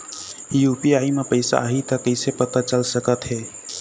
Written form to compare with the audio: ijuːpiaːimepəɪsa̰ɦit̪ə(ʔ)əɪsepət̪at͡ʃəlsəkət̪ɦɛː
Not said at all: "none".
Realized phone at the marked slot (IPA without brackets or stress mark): k